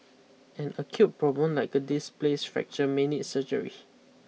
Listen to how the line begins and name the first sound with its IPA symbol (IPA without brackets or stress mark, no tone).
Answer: ɛ̃